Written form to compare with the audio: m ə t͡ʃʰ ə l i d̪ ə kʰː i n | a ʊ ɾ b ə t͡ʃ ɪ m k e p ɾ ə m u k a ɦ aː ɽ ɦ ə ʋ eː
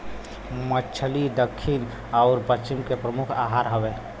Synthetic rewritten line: m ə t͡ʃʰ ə l i d̪ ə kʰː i n | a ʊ ɾ p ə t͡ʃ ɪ m k e p ɾ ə m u kʰ a ɦ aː ɾ ɦ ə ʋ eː